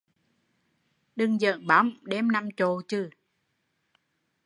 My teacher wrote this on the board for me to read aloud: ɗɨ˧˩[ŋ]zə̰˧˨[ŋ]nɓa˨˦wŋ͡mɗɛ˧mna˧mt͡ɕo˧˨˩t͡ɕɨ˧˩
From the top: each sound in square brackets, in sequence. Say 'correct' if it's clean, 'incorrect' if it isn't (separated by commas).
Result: correct, incorrect